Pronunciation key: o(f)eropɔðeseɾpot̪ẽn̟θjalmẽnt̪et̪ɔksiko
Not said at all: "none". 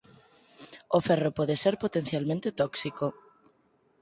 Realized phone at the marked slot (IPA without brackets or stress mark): f